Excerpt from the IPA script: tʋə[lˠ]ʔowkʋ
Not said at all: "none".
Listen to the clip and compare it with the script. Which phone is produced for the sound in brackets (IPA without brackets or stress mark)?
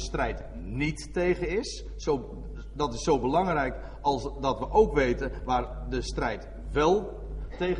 none